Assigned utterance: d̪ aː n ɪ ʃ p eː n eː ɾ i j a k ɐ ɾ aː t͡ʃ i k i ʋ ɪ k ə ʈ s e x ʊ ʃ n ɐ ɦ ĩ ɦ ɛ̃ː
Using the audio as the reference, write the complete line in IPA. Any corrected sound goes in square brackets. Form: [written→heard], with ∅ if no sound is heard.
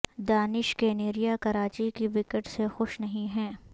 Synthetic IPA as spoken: d̪ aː n ɪ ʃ [p→k] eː n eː ɾ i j a k ɐ ɾ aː t͡ʃ i k i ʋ ɪ k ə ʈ s e x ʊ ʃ n ɐ ɦ ĩ ɦ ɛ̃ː